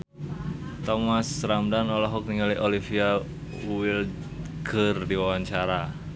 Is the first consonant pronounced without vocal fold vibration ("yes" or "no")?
yes